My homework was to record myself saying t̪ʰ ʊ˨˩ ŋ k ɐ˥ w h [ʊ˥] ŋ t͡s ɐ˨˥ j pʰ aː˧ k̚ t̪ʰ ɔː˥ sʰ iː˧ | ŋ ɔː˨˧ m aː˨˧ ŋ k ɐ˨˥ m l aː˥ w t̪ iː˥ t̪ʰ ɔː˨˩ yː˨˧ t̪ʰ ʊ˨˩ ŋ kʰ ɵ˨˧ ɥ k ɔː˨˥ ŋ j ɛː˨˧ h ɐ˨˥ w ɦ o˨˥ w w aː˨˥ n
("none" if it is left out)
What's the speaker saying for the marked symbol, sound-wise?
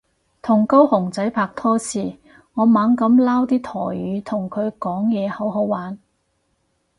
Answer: ʊ˨˩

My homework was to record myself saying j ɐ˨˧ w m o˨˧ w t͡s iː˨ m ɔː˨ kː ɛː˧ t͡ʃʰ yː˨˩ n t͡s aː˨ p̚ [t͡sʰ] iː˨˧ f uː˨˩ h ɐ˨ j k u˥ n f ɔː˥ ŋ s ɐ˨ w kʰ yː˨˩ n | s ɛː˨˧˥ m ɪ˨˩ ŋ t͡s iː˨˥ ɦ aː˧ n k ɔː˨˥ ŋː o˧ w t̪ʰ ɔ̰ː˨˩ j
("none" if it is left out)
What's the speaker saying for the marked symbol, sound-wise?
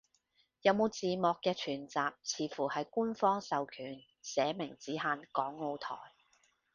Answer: t͡sʰ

